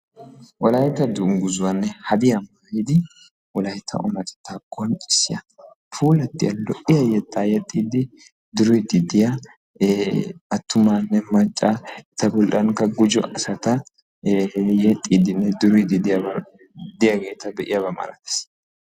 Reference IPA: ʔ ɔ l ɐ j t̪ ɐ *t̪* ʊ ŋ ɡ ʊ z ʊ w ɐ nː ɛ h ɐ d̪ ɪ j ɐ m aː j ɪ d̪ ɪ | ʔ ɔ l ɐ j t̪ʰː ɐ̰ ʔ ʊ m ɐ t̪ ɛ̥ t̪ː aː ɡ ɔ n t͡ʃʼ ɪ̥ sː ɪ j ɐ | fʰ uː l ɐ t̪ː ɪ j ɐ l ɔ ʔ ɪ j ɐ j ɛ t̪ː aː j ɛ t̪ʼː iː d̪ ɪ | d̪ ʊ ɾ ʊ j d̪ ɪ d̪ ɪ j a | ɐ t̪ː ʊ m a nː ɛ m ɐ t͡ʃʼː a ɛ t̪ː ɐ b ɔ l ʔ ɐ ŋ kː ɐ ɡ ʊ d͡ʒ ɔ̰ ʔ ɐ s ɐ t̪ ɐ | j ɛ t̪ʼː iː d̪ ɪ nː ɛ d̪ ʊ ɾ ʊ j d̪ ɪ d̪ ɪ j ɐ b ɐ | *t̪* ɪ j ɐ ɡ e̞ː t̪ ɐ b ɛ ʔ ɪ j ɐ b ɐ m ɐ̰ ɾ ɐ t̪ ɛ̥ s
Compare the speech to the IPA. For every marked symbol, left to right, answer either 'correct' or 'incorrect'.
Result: incorrect: d̪, incorrect: d̪

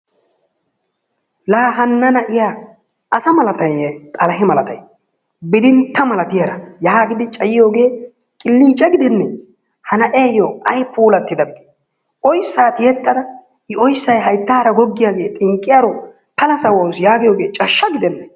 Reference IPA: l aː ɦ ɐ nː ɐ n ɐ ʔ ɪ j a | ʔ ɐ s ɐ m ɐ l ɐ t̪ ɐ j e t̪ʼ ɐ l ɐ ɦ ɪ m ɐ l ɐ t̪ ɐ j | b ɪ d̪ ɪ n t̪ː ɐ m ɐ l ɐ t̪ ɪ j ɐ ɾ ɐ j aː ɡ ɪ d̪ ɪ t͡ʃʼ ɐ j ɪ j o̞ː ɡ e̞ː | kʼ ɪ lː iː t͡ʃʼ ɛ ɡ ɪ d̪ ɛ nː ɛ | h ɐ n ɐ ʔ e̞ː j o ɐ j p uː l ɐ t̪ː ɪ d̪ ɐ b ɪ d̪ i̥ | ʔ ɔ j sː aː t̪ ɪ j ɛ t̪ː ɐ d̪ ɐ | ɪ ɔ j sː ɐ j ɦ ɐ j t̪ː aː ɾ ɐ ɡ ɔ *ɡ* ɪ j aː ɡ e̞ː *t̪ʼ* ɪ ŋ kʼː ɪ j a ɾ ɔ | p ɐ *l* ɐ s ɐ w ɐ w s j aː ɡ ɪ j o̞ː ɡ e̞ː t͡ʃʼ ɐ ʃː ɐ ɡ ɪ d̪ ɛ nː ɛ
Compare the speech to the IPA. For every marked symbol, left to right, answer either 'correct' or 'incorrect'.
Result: incorrect: ɡː, correct, correct

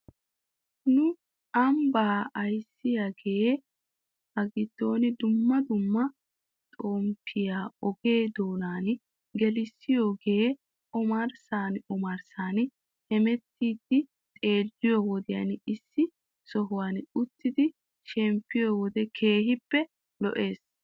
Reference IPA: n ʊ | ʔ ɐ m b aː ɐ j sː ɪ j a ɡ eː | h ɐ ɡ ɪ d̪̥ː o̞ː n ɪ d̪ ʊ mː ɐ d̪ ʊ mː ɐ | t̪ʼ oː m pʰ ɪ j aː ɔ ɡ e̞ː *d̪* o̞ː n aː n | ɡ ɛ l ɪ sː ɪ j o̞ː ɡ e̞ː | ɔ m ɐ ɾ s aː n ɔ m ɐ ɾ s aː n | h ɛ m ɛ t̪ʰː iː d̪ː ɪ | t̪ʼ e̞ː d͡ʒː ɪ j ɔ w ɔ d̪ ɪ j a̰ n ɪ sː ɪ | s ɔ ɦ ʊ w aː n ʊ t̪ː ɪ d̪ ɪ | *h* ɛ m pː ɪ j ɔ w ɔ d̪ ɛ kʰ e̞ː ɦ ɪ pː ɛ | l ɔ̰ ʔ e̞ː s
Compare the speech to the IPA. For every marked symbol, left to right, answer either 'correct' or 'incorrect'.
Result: correct, incorrect: ʃ

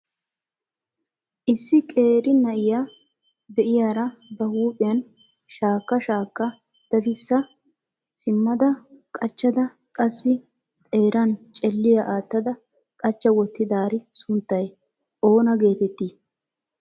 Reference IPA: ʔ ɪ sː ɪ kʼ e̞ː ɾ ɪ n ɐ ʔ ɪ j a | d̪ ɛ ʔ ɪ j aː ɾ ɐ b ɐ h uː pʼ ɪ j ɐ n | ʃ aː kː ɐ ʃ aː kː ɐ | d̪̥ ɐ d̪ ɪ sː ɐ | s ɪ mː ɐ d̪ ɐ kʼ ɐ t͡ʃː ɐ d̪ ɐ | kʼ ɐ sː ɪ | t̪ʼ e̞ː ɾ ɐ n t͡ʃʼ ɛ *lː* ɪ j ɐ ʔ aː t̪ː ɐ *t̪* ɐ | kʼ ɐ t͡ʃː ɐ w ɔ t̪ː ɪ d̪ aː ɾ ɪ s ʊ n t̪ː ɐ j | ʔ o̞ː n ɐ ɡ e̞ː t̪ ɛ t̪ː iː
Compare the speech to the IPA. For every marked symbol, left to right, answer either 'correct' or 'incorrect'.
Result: correct, incorrect: d̪

